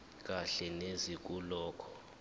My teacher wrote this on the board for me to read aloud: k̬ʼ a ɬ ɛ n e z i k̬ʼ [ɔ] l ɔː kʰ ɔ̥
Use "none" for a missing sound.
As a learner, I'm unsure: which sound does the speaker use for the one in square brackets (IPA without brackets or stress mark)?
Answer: u